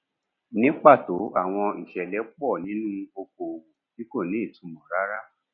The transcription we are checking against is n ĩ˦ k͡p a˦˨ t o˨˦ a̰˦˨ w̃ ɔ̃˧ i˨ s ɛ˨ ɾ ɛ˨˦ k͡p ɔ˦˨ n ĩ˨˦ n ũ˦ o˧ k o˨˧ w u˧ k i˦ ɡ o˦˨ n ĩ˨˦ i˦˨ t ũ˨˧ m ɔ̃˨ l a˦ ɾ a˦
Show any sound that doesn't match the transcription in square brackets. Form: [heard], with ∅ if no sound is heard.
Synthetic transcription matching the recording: n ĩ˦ k͡p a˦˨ t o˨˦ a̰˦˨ w̃ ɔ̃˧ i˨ [ʃ] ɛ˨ [l] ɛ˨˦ k͡p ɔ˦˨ n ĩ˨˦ n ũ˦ o˧ k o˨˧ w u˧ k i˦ [k] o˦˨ n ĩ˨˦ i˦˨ t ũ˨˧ m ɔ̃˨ [ɾ] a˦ ɾ a˦